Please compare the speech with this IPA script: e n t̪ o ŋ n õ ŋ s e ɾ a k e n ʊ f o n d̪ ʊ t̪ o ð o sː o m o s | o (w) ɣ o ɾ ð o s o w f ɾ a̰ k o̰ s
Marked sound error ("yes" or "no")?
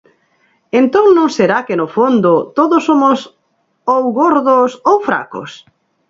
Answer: no